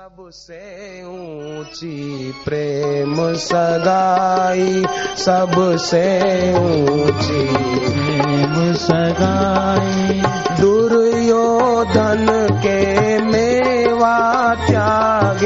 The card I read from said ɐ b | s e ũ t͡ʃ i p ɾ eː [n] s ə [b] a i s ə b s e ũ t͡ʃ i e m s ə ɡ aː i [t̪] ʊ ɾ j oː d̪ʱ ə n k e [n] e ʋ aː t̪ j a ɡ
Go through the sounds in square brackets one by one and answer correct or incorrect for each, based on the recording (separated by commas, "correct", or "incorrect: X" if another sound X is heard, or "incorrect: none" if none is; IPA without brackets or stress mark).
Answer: incorrect: m, incorrect: ɡ, incorrect: d̪, incorrect: m